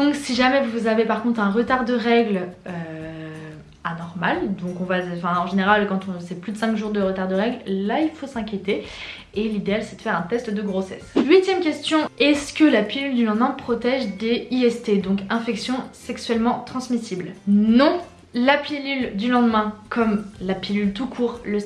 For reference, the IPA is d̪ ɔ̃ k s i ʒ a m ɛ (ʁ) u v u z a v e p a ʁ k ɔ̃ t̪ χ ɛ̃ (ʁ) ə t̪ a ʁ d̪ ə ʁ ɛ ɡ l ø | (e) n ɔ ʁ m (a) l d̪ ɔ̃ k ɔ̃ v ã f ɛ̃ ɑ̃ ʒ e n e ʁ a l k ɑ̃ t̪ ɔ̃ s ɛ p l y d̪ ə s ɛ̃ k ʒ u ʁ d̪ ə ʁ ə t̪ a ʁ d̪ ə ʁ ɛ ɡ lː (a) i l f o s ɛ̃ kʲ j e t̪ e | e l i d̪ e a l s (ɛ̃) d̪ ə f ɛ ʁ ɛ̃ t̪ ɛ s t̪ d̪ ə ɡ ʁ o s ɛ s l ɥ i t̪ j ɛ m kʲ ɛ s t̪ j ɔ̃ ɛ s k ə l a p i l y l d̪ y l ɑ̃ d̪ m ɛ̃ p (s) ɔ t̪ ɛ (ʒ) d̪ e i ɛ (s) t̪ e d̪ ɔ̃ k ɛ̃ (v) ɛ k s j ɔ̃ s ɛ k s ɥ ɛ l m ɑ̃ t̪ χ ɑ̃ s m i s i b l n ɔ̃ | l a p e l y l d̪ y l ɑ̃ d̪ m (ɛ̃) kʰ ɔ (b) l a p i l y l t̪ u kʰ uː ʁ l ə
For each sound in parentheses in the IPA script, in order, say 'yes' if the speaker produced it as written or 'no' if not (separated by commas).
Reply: no, yes, no, yes, yes, no, no, yes, yes, no, yes, no